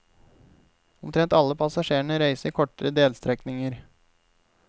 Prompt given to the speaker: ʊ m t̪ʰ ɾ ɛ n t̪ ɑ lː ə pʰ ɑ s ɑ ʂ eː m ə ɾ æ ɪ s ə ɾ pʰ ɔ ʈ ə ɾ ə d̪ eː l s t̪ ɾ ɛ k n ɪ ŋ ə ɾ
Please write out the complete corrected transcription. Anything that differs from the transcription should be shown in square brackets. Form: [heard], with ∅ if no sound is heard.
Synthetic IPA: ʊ m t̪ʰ ɾ ɛ n t̪ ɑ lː ə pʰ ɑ s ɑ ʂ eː [ɳ] ə ɾ æ ɪ s ə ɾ [kʰ] ɔ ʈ ə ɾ ə d̪ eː l s t̪ ɾ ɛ k n ɪ ŋ ə ɾ